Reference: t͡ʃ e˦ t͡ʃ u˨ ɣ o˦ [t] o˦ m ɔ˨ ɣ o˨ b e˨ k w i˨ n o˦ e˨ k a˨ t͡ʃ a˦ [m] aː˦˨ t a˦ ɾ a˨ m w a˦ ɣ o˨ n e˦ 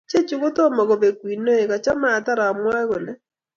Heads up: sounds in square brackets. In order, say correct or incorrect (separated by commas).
correct, correct